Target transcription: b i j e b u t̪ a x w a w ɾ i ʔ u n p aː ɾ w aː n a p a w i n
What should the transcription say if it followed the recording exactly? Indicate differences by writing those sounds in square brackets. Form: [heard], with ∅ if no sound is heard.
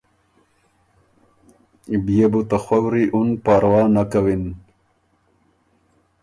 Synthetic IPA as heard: b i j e b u t̪ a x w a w ɾ i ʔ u n p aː ɾ w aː n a [k] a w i n